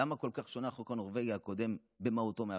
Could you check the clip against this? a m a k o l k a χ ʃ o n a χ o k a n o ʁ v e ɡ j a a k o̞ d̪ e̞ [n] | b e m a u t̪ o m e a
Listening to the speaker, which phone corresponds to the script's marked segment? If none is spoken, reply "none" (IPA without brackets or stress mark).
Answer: m